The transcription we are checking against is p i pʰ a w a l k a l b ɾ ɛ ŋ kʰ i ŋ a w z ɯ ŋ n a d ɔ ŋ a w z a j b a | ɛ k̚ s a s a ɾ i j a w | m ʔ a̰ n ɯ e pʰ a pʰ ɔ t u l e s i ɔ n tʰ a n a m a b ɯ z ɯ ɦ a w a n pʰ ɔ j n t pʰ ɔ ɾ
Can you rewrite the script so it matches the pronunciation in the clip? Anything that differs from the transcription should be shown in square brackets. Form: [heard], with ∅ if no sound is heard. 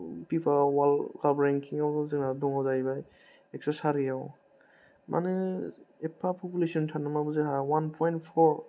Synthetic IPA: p i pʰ a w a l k a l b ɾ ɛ ŋ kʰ i ŋ a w z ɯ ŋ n a d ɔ ŋ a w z a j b a | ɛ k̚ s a s a ɾ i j a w | m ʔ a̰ n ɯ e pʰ a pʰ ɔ [p] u l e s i ɔ n tʰ a n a m a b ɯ z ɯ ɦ a w a n pʰ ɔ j n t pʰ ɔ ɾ